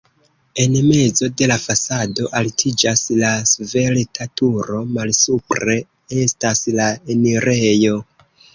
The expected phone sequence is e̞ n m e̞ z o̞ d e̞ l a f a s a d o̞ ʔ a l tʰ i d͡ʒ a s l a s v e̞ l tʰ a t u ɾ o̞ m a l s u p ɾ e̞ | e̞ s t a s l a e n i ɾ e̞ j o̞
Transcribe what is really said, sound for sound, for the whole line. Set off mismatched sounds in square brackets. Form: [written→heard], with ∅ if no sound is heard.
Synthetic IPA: e̞ n m e̞ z o̞ d e̞ l a f a s a d o̞ ʔ a l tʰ i d͡ʒ a s l a s v e̞ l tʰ a t u ɾ o̞ m a l s u p ɾ e̞ | e̞ s t a s l a e n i ɾ e̞ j o̞